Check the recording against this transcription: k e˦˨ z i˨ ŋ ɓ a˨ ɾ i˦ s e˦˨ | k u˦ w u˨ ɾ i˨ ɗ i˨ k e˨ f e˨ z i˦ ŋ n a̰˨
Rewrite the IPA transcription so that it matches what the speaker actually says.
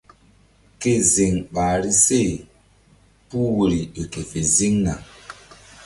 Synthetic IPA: k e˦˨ z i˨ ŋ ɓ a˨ ɾ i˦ s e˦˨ | p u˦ w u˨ ɾ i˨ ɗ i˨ k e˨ f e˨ z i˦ ŋ n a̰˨